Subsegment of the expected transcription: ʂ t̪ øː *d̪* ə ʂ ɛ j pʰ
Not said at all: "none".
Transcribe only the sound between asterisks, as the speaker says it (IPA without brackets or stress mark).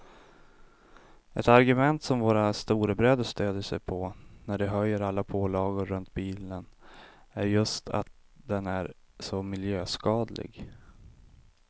d̪